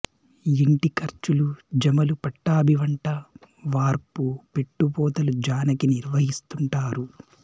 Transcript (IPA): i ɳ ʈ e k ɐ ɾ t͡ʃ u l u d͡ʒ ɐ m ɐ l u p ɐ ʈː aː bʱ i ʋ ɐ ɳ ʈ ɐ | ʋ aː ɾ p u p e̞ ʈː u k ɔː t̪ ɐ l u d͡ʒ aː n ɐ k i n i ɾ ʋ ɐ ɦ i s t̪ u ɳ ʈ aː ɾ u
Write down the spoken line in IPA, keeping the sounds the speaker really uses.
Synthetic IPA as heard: i ɳ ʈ i k ɐ ɾ t͡ʃ u l u d͡ʒ ɐ m ɐ l u p ɐ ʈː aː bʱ i ʋ ɐ ɳ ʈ ɐ | ʋ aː ɾ p u p e̞ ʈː u p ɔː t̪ ɐ l u d͡ʒ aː n ɐ k i n i ɾ ʋ ɐ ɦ i s t̪ u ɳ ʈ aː ɾ u